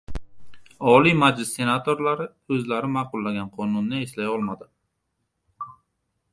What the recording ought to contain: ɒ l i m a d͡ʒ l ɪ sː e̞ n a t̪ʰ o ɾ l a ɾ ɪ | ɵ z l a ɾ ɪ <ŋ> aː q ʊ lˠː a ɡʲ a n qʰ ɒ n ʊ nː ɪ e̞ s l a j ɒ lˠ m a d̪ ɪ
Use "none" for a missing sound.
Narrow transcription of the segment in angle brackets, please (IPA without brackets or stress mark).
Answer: m